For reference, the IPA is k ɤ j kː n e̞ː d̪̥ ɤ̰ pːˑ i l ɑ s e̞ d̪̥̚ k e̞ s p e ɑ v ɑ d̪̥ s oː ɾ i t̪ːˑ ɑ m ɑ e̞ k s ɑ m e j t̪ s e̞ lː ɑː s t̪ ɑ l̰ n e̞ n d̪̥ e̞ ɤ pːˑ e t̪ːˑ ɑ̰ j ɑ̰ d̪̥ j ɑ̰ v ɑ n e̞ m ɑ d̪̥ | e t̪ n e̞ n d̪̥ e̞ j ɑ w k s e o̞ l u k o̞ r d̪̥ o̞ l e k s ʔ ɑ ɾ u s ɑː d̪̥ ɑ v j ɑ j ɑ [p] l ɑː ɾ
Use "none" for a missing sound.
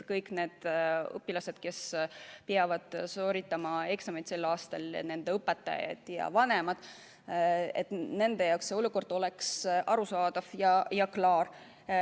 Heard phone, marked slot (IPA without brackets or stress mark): k